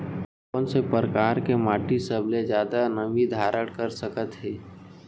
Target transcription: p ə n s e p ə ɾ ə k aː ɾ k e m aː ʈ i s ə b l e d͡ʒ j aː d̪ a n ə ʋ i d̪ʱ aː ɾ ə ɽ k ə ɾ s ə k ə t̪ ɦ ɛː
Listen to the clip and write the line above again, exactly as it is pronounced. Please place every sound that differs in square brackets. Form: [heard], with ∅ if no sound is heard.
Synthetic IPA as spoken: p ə n s e p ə ɾ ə k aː ɾ k e m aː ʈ i s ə b l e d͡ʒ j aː d̪ a n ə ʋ i d̪ʱ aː ɾ ə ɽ k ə ɾ s ə k ə t̪ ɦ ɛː